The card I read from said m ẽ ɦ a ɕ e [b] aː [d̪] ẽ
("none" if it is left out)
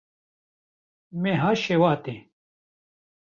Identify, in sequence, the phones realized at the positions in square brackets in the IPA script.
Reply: w, t̪

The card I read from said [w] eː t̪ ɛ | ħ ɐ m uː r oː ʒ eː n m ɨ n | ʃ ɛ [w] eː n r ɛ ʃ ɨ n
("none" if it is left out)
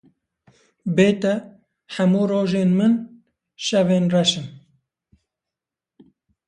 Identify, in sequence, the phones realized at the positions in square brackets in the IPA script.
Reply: b, v

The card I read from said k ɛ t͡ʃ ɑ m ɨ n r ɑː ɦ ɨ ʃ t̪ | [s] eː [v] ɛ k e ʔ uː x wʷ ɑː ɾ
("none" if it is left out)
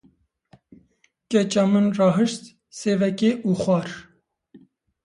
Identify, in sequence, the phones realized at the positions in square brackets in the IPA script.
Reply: s, v

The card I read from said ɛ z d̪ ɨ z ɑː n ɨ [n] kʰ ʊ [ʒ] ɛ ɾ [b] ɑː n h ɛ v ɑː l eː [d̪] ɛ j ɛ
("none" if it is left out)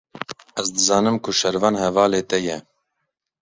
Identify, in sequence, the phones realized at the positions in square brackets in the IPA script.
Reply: m, ʃ, v, t̪

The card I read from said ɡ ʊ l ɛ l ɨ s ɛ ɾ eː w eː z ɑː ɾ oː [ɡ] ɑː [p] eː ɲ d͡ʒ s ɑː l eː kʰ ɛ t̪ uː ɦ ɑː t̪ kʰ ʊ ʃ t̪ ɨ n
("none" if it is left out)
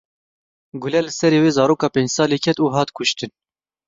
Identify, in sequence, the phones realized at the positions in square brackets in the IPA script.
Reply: k, p

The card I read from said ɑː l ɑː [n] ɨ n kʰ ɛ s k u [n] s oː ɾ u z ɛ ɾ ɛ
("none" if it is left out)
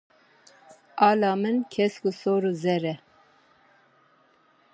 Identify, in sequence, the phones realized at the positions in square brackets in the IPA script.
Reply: m, none

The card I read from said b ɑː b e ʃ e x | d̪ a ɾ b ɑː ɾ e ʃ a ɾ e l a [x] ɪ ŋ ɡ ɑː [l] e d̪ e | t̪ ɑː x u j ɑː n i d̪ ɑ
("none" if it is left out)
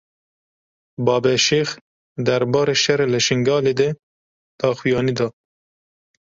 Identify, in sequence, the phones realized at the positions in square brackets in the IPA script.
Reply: ʃ, l

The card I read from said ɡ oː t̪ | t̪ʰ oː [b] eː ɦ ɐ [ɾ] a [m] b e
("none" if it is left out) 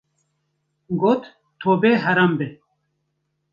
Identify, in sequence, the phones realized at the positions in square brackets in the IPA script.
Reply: b, ɾ, m

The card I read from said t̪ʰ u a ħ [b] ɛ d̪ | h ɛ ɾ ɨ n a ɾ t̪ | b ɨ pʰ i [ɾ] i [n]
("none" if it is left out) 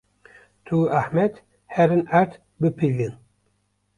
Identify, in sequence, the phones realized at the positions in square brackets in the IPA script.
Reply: m, l, n

